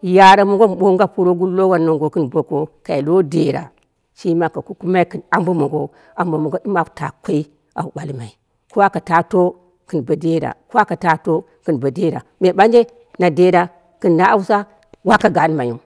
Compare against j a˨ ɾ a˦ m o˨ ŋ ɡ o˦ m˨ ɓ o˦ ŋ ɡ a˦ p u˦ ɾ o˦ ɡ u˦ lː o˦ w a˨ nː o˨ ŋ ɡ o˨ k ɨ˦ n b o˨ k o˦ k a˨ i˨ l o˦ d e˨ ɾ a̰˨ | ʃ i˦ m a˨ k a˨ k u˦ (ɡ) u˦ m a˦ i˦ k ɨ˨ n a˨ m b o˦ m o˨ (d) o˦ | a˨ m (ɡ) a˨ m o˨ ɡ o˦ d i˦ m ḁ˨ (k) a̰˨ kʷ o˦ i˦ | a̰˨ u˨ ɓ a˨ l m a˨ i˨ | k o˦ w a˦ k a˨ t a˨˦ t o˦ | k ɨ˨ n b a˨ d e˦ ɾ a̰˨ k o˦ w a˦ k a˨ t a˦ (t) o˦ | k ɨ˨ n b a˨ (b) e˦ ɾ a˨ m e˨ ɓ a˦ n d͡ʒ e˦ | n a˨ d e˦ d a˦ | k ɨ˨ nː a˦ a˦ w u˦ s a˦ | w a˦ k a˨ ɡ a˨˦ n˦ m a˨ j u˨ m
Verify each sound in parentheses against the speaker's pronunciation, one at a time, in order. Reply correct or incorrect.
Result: incorrect, incorrect, incorrect, incorrect, correct, incorrect

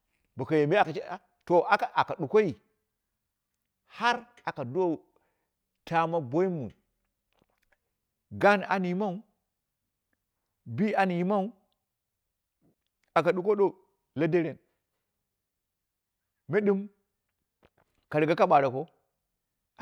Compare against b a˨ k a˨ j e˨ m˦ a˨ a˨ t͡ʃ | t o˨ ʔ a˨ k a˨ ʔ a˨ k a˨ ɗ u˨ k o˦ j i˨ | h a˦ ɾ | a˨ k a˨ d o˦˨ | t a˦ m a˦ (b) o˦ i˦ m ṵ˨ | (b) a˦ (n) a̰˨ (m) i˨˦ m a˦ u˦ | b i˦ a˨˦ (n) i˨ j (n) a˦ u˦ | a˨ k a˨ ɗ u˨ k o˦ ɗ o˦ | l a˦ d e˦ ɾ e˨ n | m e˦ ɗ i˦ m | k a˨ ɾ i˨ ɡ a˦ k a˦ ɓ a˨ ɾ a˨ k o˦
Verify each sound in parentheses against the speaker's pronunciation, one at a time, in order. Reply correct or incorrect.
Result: correct, incorrect, correct, incorrect, correct, incorrect

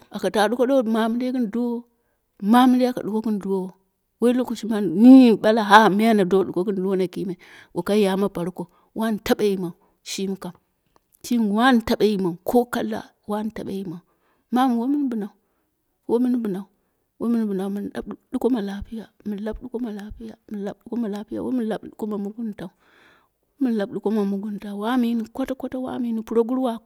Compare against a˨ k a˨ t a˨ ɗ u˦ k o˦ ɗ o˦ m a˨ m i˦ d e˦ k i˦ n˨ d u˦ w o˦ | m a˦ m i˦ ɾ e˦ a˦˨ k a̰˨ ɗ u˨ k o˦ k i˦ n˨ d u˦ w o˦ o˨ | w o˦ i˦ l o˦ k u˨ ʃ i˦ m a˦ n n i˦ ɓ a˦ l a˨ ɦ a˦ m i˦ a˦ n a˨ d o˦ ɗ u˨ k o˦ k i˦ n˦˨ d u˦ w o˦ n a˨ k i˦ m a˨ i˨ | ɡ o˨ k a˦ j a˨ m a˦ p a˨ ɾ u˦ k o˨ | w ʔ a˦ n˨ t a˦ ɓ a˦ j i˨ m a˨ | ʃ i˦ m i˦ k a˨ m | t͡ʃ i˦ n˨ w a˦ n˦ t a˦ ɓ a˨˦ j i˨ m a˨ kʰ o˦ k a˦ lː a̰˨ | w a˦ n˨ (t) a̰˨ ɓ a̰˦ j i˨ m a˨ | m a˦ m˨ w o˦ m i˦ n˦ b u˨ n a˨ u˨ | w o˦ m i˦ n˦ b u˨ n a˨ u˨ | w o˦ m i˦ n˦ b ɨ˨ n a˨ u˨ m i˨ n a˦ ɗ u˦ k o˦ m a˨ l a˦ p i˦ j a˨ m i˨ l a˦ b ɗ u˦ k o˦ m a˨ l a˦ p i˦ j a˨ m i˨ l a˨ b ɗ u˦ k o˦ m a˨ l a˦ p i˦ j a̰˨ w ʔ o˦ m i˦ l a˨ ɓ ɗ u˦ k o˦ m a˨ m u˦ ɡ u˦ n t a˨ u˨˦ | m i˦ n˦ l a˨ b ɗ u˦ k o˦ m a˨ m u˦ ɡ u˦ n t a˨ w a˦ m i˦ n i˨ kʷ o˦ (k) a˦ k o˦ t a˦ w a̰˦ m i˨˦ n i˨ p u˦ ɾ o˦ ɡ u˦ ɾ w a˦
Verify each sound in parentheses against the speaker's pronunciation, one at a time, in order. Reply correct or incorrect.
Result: correct, incorrect

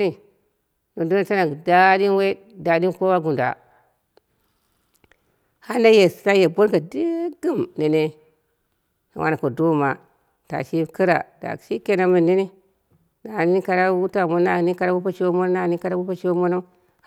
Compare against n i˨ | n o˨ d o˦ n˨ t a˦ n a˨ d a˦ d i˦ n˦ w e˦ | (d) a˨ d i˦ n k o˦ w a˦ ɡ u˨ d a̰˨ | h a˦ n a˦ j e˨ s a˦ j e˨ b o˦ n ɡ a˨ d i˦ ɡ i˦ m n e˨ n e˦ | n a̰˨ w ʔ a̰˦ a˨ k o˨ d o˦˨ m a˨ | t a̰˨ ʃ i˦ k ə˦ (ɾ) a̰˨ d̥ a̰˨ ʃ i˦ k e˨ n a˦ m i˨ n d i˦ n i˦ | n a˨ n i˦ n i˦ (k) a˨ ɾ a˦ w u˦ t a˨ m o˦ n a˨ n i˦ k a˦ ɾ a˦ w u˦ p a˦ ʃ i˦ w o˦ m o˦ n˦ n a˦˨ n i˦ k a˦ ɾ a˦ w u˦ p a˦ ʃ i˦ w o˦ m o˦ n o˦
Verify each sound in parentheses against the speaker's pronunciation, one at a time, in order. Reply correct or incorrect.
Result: correct, correct, correct

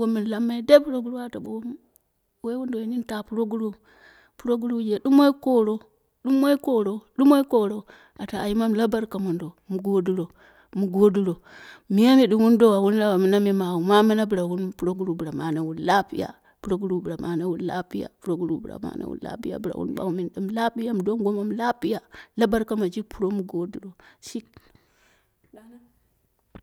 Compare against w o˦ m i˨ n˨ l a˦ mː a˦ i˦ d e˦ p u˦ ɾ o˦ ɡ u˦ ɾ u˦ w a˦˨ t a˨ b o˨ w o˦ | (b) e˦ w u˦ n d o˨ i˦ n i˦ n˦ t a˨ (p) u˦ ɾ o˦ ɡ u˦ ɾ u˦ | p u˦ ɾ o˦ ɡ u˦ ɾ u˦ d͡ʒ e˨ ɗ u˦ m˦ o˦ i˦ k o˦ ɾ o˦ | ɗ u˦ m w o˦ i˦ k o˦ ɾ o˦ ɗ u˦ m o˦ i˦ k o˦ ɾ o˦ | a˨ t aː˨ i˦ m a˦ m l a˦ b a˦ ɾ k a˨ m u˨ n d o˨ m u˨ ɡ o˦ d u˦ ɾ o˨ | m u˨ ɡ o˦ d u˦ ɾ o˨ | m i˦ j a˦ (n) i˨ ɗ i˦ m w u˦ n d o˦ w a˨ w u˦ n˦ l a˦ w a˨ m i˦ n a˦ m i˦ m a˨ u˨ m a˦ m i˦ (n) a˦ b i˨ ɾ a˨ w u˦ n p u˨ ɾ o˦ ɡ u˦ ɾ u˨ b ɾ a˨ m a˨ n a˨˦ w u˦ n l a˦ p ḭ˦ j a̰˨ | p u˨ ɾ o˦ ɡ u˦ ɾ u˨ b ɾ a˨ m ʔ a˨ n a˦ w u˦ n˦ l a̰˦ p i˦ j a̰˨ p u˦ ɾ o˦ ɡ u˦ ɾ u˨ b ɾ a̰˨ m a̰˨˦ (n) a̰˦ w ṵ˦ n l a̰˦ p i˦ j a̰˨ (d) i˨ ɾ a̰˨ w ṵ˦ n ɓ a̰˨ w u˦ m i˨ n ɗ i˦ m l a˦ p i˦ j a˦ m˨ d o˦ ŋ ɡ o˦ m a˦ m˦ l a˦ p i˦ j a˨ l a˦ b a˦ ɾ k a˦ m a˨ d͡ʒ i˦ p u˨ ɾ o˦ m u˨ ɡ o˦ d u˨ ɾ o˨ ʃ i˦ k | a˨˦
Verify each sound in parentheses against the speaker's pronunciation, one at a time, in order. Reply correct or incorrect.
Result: incorrect, correct, incorrect, correct, correct, incorrect

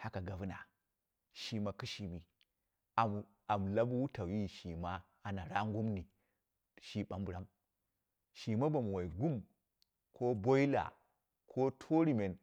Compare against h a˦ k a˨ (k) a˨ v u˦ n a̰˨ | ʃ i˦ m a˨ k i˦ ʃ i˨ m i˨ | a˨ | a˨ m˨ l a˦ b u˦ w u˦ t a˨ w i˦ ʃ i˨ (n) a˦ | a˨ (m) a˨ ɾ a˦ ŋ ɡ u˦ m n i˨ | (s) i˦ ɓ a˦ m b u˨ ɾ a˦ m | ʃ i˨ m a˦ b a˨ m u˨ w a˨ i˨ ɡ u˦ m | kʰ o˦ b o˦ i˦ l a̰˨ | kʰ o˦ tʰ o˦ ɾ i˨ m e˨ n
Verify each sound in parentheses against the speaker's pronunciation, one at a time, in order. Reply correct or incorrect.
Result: incorrect, incorrect, incorrect, incorrect

